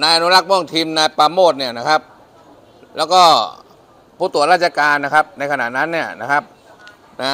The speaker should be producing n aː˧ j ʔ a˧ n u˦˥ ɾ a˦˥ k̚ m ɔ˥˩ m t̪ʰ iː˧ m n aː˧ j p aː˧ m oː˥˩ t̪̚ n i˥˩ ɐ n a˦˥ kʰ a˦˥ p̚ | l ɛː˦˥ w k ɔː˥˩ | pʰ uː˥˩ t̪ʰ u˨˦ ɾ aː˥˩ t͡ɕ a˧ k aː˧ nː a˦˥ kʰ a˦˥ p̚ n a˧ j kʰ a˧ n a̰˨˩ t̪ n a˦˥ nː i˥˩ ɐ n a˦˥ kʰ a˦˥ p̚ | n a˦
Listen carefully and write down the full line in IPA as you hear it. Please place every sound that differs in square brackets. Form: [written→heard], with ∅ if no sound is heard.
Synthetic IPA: n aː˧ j ʔ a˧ n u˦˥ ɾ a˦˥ k̚ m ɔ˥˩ [m→ŋ] t̪ʰ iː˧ m n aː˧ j p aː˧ m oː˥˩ t̪̚ n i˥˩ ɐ n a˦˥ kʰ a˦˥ p̚ | l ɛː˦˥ w k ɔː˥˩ | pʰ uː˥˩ [t̪ʰ→t̪] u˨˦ ɾ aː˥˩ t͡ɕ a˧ k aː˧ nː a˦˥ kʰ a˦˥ p̚ n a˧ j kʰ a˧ n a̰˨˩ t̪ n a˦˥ nː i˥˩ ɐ n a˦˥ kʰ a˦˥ p̚ | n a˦

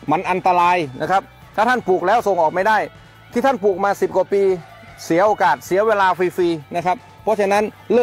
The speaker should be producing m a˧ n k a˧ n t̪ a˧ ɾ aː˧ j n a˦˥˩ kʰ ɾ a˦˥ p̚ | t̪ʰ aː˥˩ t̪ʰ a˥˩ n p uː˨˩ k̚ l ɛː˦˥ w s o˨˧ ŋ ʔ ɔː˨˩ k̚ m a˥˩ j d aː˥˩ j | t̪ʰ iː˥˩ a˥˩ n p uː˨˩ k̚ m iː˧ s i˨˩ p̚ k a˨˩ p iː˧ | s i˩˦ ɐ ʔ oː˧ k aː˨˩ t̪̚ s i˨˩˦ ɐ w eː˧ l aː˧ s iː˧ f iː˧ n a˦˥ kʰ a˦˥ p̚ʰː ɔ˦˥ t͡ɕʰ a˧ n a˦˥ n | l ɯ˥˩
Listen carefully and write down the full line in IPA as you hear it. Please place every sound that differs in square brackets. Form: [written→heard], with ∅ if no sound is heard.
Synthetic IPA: m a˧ n [k→ʔ] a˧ n t̪ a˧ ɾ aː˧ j n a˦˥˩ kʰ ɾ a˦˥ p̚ | t̪ʰ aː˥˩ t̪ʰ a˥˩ n p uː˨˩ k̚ l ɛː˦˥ w s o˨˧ ŋ ʔ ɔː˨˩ k̚ m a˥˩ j d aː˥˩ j | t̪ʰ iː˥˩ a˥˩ n p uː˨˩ k̚ m [iː˧→aː˧] s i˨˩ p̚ k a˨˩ p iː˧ | s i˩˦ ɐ ʔ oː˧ k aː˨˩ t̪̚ s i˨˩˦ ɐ w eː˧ l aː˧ [s→f] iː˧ f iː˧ n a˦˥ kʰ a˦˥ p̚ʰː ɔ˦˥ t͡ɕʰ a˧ n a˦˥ n | l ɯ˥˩

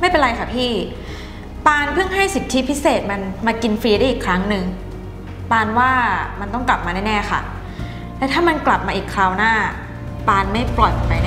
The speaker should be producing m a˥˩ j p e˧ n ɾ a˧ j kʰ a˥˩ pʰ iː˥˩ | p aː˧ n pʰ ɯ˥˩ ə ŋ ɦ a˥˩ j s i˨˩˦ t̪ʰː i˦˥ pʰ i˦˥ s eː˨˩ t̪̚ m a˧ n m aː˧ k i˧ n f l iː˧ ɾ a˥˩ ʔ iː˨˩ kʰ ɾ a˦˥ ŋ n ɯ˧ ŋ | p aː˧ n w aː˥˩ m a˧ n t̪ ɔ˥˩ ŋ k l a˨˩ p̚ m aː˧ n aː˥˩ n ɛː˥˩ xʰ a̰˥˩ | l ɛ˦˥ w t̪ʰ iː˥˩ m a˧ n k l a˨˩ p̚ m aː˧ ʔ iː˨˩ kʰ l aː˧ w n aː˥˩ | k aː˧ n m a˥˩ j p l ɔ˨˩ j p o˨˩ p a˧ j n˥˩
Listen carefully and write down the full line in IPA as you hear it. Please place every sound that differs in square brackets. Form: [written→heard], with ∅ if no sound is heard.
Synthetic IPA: m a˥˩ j p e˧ n ɾ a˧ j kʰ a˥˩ pʰ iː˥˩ | p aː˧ n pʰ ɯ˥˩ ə ŋ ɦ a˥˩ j s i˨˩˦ t̪ʰː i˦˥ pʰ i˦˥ s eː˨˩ t̪̚ m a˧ n m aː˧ k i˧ n f [l→ɾ] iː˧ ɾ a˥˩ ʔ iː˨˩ kʰ ɾ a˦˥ ŋ n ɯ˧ ŋ | p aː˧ n w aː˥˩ m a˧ n t̪ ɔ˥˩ ŋ k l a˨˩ p̚ m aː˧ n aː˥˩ n ɛː˥˩ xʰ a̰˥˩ | l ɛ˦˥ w t̪ʰ [iː˥˩→aː˥˩] m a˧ n k l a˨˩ p̚ m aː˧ ʔ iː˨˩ kʰ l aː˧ w n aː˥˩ | [k→p] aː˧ n m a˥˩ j p l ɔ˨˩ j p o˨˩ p a˧ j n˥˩

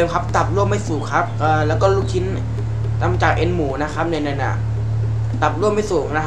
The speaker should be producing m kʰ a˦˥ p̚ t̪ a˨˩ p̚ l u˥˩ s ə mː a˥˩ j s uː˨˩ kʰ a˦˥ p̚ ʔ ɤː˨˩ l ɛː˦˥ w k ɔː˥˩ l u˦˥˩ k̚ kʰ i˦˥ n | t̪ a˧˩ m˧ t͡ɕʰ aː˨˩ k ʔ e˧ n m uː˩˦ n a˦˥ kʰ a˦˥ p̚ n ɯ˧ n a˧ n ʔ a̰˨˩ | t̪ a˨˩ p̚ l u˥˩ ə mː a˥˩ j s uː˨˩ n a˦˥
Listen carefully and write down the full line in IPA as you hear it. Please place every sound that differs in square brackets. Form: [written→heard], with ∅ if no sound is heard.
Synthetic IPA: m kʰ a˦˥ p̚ t̪ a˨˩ p̚ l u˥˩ [s→∅] ə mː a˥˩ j s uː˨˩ kʰ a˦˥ p̚ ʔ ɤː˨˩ l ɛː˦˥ w k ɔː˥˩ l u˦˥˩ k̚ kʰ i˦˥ n | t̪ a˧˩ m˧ [t͡ɕʰ→t͡ɕ] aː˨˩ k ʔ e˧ n m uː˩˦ n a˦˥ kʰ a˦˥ p̚ n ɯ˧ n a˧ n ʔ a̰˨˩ | t̪ a˨˩ p̚ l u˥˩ ə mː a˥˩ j s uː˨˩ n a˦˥

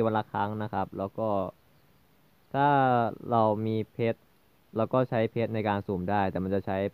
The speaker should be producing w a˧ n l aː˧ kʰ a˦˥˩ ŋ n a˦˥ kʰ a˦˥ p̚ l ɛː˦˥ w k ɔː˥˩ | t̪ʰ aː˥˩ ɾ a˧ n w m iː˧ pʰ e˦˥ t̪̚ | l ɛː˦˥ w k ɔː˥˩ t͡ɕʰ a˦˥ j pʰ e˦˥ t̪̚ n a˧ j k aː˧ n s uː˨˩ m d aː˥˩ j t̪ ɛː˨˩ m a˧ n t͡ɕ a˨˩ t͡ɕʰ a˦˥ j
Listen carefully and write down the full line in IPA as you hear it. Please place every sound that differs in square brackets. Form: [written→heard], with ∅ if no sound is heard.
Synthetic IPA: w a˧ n l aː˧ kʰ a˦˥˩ ŋ n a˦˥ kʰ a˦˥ p̚ l ɛː˦˥ w k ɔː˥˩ | t̪ʰ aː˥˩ ɾ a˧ [n→∅] w m iː˧ pʰ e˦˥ t̪̚ | l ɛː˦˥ w k ɔː˥˩ t͡ɕʰ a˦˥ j pʰ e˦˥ t̪̚ n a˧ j k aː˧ n s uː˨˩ m d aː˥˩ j t̪ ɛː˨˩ m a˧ n t͡ɕ a˨˩ t͡ɕʰ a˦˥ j

